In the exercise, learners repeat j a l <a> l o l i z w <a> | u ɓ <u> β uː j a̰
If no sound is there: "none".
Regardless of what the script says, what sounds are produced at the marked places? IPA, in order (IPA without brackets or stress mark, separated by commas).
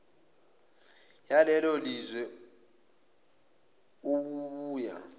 ɛ, ɛ, u